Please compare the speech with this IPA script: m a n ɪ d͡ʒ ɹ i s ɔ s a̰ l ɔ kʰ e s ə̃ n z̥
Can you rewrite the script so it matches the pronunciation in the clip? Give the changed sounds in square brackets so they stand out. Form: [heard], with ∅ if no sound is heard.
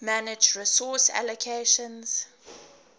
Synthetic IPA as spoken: m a n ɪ d͡ʒ ɹ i s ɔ s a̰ l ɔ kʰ e [ʃ] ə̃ n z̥